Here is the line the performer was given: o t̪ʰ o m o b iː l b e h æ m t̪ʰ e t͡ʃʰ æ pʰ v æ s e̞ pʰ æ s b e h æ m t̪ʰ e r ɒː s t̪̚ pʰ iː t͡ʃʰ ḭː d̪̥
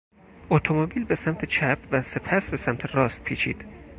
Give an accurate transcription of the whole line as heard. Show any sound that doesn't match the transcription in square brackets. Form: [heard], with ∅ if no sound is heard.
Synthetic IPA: o t̪ʰ o m o b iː l b e [s] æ m t̪ʰ e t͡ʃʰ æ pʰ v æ s e̞ pʰ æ s b e [s] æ m t̪ʰ e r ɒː s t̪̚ pʰ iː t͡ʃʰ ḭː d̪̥